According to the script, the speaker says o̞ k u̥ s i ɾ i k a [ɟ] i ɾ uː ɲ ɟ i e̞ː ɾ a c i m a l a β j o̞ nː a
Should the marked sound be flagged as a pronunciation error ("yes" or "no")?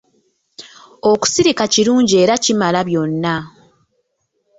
yes